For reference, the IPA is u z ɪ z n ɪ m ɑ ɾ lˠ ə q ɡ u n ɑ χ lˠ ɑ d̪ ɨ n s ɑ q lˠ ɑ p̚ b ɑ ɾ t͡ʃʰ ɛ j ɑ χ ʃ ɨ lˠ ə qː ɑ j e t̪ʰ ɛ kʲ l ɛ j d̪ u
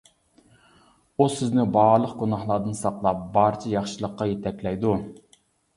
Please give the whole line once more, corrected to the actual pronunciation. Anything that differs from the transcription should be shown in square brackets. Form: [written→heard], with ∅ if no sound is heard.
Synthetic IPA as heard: u [z→s] ɪ z n ɪ [m→b] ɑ ɾ lˠ ə q ɡ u n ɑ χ lˠ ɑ d̪ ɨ n s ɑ q lˠ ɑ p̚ b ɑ ɾ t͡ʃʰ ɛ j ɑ χ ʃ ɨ lˠ ə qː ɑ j e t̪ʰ ɛ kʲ l ɛ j d̪ u